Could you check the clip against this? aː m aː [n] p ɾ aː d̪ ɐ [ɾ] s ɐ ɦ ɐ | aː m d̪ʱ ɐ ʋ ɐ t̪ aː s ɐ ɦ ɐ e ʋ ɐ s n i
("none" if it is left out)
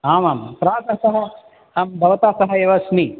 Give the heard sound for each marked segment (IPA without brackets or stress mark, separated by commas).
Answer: m, none